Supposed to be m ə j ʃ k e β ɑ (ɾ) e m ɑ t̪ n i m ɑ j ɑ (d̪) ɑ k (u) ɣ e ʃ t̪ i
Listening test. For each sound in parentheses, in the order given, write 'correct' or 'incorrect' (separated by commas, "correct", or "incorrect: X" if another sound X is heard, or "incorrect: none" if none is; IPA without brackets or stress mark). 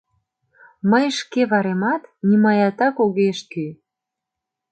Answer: correct, incorrect: t̪, incorrect: o